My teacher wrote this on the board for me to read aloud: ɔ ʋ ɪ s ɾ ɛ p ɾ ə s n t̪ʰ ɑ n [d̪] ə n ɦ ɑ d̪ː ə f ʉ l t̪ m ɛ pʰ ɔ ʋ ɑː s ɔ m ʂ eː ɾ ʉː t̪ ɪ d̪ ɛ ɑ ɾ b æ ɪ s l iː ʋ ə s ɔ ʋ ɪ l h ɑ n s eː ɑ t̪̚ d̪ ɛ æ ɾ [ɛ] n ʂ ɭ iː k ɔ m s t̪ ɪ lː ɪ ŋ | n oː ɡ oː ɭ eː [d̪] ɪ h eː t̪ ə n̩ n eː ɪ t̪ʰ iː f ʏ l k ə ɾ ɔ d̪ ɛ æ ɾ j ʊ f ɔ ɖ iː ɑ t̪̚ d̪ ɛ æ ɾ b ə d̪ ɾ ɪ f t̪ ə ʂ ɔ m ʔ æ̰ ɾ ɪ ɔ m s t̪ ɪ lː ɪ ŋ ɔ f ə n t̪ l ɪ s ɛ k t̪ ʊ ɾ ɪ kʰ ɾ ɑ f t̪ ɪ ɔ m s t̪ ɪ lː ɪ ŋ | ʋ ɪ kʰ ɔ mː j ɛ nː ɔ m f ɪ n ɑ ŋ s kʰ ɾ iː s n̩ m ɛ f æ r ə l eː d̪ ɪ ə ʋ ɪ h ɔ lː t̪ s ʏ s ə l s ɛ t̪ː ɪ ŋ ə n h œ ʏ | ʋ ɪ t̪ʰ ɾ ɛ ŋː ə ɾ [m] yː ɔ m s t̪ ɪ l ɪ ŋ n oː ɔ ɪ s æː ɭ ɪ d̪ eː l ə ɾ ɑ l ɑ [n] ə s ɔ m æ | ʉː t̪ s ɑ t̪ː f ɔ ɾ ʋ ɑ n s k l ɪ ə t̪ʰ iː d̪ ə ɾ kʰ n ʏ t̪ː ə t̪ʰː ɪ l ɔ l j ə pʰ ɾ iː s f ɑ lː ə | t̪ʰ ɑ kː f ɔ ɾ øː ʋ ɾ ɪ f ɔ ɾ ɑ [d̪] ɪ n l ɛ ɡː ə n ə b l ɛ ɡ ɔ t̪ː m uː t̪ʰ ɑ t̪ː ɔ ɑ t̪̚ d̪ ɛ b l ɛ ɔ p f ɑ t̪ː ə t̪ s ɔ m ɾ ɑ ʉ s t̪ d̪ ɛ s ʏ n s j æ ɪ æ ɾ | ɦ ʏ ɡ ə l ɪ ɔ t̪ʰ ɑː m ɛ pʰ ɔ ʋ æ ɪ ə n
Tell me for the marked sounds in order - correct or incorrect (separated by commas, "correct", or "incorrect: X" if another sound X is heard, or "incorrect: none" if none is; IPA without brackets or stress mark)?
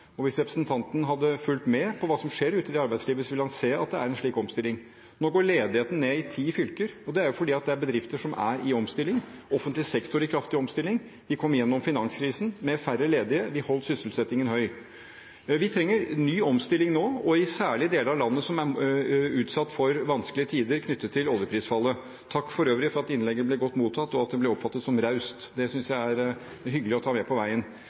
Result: incorrect: t̪, correct, correct, incorrect: n, incorrect: nː, incorrect: t̪